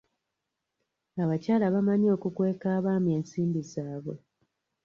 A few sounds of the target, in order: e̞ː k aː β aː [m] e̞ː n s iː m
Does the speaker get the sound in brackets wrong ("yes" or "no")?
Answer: no